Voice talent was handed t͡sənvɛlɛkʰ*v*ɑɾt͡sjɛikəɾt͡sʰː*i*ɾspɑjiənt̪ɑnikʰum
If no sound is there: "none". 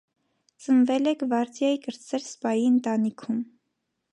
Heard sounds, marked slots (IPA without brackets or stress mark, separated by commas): v, ɛ